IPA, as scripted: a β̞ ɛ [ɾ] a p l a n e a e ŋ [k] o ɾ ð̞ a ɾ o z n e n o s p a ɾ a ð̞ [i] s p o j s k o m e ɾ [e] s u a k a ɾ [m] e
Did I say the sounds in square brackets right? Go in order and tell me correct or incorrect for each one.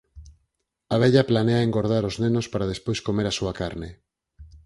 incorrect: ʎ, incorrect: ɡ, incorrect: e, incorrect: a, incorrect: n

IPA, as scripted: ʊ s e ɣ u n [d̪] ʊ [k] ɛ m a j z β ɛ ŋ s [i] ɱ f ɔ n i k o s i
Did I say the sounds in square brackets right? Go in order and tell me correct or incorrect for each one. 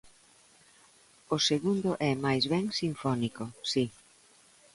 correct, incorrect: ʔ, correct

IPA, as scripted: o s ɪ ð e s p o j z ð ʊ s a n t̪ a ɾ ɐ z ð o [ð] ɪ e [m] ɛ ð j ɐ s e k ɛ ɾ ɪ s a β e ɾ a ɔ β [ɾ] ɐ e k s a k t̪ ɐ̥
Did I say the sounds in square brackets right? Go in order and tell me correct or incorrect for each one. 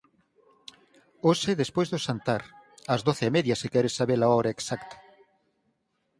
incorrect: θ, correct, correct

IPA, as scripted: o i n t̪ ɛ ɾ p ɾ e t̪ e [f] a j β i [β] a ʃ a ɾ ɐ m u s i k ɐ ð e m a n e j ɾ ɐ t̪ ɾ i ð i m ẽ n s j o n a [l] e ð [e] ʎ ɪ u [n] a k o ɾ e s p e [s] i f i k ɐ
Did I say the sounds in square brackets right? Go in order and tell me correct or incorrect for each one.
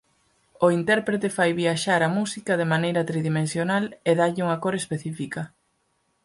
correct, incorrect: none, correct, incorrect: a, incorrect: ŋ, incorrect: θ

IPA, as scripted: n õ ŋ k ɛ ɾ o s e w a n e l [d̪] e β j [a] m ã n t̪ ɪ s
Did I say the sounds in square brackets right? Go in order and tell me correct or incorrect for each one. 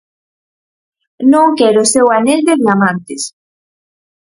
correct, correct

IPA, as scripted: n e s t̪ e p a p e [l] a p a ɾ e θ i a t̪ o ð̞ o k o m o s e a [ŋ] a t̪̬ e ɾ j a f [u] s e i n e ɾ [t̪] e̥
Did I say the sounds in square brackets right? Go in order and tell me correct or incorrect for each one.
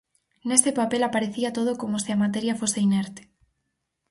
correct, incorrect: m, incorrect: o, correct

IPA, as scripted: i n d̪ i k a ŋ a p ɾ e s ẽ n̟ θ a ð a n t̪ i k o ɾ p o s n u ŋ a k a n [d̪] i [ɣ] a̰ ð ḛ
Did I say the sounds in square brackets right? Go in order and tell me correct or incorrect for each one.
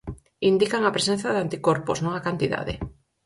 incorrect: t̪, incorrect: ð

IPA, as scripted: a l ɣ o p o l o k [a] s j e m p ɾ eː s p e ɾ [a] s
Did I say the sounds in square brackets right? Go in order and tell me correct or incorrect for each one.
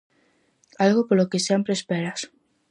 incorrect: e, correct

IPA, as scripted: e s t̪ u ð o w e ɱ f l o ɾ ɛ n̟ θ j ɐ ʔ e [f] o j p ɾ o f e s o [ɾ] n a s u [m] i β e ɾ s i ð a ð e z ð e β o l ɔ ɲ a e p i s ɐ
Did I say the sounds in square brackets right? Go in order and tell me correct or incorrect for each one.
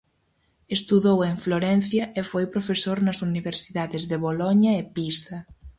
correct, correct, incorrect: n

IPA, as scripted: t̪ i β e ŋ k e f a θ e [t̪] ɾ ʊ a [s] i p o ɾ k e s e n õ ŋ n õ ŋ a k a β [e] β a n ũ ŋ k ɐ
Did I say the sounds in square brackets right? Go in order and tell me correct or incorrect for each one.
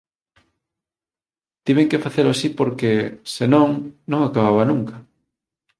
incorrect: none, correct, incorrect: a

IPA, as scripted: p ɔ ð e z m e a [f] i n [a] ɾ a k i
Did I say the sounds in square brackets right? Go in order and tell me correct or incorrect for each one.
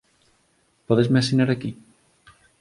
incorrect: s, correct

